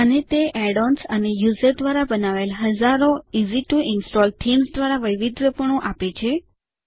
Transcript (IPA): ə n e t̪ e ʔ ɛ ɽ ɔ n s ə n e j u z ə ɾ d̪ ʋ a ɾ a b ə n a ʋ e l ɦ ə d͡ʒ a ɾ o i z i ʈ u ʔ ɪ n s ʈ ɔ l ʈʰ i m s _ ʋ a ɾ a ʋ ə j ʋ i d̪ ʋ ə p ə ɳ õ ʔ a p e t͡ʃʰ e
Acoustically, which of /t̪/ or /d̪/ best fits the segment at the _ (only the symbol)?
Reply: d̪